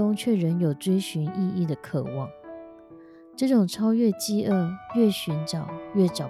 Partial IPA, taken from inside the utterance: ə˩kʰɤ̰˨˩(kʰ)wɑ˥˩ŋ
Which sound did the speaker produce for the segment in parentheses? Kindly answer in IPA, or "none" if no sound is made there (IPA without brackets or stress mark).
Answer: none